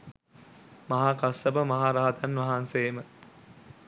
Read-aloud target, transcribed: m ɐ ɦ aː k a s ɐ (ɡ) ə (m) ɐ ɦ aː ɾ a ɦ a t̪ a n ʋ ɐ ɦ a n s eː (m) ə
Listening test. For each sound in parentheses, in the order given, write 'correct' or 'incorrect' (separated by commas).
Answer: incorrect, correct, correct